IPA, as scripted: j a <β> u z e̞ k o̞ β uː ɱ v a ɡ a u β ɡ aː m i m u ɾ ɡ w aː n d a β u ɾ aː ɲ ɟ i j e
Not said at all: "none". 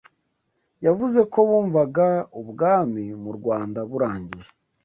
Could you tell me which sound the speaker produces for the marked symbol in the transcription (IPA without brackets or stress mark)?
v